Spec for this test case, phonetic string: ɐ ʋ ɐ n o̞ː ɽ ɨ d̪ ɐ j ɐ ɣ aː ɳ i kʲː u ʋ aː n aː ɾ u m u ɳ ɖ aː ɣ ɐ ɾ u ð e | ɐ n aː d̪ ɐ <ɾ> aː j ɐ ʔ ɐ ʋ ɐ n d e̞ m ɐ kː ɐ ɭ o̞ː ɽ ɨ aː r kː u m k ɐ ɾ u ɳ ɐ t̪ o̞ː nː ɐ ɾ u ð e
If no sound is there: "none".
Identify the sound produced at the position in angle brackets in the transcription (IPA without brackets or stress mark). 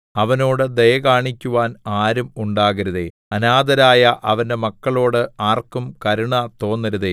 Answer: ɾ